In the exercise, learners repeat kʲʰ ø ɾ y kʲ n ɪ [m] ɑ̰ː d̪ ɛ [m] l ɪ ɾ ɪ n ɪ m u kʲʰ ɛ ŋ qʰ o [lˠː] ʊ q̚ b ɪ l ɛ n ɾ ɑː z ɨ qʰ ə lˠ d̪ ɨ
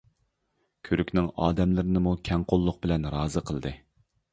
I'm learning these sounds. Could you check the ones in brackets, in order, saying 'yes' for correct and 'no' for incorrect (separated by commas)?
no, yes, yes